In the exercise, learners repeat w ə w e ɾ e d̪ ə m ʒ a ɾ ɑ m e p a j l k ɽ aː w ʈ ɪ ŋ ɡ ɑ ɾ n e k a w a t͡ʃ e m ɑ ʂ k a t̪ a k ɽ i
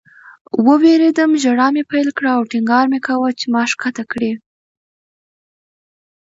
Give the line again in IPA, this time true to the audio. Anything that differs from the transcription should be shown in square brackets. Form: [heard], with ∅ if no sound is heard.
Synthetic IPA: w ə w e ɾ e d̪ ə m ʒ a [ɽ] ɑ m e p a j l k ɽ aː w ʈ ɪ ŋ ɡ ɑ ɾ [m] e k a w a t͡ʃ e m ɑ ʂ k a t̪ a k ɽ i